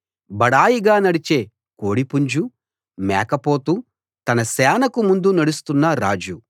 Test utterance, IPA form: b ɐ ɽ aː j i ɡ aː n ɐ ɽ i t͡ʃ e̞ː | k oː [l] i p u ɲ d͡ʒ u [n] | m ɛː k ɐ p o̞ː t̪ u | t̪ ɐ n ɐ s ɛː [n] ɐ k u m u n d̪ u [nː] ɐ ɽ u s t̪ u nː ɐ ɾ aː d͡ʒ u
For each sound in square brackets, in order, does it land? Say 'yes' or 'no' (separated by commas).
no, no, yes, no